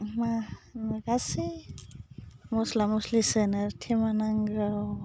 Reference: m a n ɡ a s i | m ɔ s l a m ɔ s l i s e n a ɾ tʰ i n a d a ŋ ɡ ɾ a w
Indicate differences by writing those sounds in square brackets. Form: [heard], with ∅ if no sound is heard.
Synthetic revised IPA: m a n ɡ a s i | m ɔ s l a m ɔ s l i s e n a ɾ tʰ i [m] a [n] a ŋ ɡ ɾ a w